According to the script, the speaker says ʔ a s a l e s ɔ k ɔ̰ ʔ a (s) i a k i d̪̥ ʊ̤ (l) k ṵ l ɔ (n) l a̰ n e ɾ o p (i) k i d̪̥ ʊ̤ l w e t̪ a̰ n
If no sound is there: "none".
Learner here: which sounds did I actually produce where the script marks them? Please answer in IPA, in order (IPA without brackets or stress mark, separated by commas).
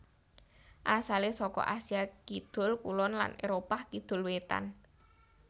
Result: s, l, n, a